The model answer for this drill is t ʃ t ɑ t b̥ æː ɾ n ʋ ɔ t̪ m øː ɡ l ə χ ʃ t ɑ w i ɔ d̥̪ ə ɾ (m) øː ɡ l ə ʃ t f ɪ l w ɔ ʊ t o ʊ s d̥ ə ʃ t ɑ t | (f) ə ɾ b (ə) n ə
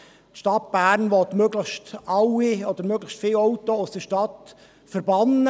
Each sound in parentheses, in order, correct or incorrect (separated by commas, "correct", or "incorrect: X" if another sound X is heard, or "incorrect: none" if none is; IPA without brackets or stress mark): correct, correct, incorrect: ɑ